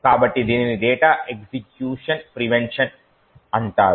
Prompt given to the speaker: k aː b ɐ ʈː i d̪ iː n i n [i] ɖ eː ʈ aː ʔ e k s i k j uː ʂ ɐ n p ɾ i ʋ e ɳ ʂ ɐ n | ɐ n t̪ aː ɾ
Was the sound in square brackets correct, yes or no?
yes